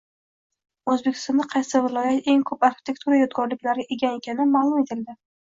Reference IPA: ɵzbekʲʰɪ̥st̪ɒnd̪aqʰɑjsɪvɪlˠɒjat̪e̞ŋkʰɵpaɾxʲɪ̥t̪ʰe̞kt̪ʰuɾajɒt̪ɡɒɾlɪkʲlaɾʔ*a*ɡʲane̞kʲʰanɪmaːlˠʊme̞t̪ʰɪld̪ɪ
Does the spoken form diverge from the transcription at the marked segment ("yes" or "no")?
yes